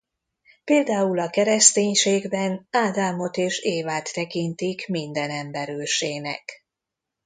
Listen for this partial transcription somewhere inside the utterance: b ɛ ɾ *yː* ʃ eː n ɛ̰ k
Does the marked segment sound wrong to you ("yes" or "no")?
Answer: yes